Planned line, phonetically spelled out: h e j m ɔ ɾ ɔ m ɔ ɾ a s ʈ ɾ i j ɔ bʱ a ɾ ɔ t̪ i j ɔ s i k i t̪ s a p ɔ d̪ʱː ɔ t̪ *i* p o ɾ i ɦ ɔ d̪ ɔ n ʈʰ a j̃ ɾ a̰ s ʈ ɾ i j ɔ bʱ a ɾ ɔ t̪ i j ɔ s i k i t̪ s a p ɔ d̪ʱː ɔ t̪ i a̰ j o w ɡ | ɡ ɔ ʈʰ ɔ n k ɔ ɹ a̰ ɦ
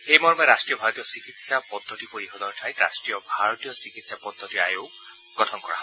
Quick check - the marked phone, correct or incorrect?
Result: correct